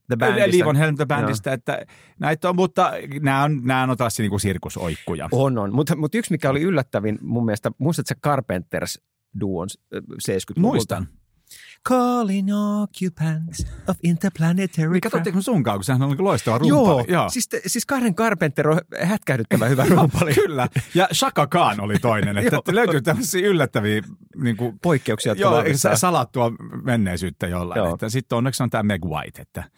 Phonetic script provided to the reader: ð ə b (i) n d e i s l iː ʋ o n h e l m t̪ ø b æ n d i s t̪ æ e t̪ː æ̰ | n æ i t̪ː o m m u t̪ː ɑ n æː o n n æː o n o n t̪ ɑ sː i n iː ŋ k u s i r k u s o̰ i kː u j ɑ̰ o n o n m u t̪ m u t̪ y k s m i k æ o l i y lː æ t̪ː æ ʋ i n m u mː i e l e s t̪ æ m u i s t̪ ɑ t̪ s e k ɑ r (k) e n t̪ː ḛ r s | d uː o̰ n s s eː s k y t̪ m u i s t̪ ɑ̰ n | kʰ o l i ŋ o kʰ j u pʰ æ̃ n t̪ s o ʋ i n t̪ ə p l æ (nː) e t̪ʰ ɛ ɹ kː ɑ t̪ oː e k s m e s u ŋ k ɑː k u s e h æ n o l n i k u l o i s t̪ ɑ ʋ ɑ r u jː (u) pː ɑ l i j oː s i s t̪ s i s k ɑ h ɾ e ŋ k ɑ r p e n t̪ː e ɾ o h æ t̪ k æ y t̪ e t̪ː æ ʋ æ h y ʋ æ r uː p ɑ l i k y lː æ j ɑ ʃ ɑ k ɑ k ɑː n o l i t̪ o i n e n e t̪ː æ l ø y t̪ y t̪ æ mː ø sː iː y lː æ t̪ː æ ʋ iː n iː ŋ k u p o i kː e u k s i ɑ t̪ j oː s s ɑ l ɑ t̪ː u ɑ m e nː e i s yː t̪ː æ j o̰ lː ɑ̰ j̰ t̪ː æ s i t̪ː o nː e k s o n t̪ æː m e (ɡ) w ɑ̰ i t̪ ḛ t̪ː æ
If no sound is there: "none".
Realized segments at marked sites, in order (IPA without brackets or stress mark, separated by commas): æ, p, n, o, ɡ